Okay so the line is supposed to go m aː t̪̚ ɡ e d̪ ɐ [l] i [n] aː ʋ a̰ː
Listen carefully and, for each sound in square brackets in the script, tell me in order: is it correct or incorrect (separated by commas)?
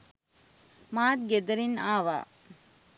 incorrect, correct